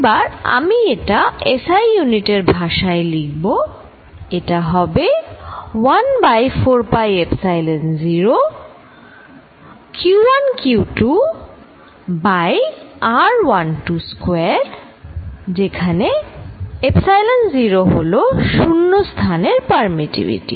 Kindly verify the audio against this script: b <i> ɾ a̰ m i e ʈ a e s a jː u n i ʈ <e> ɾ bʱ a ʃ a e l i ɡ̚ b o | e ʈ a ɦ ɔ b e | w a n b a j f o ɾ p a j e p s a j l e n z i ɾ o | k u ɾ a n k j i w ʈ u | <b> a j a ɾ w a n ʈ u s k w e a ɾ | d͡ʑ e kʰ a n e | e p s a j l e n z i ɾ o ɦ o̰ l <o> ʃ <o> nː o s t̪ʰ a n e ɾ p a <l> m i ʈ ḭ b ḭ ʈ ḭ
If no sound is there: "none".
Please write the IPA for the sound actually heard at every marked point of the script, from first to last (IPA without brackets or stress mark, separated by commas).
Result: a, e, b, o, u, ɾ